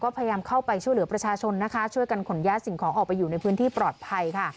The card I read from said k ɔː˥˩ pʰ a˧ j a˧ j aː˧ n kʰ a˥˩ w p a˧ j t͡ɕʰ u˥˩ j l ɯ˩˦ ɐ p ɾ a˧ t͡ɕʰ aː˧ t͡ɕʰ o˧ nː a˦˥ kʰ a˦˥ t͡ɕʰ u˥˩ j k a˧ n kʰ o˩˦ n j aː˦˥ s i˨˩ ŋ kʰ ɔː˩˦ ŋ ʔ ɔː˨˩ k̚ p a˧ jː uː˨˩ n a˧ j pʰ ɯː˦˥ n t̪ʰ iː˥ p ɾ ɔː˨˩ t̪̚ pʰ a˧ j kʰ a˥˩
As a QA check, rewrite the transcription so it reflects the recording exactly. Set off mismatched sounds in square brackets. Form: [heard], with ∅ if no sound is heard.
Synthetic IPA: k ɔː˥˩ pʰ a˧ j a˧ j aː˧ [m] kʰ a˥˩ w p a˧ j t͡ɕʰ u˥˩ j l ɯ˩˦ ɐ p ɾ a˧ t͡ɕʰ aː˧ t͡ɕʰ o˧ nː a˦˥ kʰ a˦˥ t͡ɕʰ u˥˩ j k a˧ n kʰ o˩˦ n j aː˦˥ s i˨˩ ŋ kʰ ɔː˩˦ ŋ ʔ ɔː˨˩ k̚ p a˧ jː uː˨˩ n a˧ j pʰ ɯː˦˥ n t̪ʰ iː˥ p ɾ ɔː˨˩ t̪̚ pʰ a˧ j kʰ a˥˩